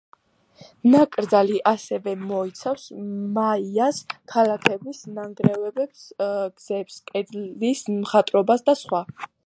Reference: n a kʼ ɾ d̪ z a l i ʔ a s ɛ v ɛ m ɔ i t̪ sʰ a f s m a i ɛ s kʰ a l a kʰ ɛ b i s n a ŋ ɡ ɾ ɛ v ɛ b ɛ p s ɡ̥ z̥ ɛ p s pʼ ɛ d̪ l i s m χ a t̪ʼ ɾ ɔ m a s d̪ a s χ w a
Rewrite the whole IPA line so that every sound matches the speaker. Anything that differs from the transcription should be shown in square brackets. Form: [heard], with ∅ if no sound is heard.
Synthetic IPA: n a kʼ ɾ d̪ z a l i ʔ a s ɛ v ɛ m ɔ i t̪ sʰ a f s m a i [a] s kʰ a l a kʰ ɛ b i s n a ŋ ɡ ɾ ɛ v ɛ b ɛ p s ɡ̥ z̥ ɛ p s [kʼ] ɛ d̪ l i s m χ a t̪ʼ ɾ ɔ [b] a s d̪ a s χ w a